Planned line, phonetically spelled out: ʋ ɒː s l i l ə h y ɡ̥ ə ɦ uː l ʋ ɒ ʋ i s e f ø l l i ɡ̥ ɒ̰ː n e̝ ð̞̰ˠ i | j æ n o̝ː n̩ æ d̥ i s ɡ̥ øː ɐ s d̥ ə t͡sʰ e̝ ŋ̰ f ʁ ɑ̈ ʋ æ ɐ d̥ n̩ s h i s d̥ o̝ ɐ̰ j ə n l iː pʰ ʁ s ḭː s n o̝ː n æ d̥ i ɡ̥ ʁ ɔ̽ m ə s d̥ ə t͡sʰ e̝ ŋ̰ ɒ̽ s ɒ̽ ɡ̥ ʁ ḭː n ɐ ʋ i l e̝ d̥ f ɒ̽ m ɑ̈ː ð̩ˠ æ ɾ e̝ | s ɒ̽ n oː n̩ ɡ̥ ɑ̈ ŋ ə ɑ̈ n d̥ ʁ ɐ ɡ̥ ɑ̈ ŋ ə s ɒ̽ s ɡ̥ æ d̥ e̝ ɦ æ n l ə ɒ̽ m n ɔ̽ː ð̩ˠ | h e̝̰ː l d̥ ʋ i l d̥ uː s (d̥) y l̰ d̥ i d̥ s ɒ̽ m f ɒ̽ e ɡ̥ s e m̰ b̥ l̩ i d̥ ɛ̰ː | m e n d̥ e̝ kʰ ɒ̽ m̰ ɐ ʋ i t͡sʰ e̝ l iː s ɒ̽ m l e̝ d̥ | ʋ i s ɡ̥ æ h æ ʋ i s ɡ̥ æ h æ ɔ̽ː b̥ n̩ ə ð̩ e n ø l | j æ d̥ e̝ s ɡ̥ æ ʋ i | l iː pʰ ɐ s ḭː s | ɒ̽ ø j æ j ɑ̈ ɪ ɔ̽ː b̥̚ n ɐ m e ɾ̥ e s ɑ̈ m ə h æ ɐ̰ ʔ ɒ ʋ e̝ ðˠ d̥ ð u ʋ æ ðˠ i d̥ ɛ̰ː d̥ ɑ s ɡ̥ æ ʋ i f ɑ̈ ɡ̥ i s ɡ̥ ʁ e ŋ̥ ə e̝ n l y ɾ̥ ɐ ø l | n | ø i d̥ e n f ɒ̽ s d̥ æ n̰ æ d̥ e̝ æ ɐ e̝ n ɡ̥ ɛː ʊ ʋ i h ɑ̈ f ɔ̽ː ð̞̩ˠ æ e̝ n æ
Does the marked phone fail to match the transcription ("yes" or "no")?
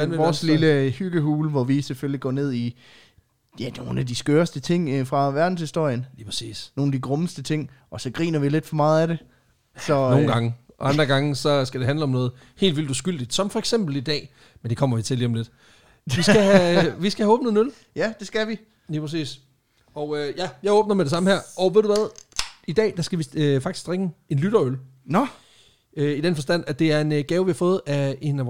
yes